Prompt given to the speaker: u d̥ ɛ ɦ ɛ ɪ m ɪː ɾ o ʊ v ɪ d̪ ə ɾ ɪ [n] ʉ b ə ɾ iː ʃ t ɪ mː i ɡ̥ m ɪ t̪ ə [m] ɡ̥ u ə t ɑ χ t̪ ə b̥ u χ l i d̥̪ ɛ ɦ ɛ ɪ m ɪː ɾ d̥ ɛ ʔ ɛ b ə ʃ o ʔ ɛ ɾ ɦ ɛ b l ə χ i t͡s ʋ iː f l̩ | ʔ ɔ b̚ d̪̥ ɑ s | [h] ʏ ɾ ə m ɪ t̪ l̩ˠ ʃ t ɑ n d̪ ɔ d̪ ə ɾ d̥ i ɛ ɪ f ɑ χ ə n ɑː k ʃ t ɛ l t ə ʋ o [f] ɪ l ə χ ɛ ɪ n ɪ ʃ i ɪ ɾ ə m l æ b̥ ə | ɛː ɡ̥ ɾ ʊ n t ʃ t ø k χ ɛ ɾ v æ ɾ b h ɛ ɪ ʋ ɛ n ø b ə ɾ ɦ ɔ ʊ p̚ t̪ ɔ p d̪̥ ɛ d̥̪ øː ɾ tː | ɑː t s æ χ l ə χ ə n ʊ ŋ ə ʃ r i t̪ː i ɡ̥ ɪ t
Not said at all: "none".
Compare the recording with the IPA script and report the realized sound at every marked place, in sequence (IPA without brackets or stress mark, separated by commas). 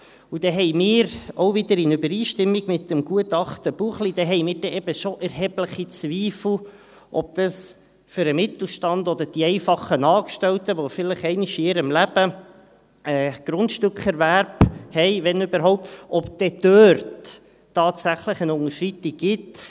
n, m, f, f